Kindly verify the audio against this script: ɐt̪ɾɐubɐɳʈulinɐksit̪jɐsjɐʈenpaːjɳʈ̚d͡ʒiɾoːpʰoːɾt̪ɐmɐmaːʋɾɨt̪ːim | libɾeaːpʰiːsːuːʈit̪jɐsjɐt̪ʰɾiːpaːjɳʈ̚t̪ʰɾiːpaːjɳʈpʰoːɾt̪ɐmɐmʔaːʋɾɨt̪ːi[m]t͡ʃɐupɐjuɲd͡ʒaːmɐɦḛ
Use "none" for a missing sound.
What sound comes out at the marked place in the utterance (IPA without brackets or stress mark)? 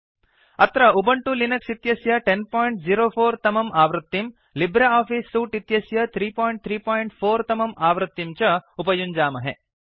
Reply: m